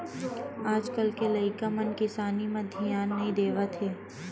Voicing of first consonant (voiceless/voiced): voiced